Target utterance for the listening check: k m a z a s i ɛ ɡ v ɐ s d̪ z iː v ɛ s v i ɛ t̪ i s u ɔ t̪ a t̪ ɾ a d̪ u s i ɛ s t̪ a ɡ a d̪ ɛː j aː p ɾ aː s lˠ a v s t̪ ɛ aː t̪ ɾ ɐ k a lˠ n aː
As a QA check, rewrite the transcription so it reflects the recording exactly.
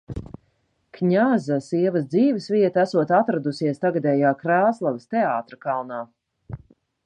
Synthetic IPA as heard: k ɲ a z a s i ɛ v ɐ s d̪ z iː v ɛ s v i ɛ t̪ æ s u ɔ t̪ a t̪ ɾ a d̪ u s i ɛ s t̪ a ɡ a d̪ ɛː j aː k ɾ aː s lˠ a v s t̪ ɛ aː t̪ ɾ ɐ k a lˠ n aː